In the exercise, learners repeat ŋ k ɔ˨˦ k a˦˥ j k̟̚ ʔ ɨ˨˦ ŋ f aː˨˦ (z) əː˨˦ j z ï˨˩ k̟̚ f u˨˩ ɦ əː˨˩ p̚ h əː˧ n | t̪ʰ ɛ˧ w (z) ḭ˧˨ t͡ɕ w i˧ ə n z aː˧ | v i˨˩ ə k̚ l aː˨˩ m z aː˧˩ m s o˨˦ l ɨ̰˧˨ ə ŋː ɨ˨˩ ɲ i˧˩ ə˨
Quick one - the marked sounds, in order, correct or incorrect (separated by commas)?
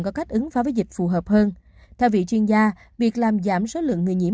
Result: incorrect, incorrect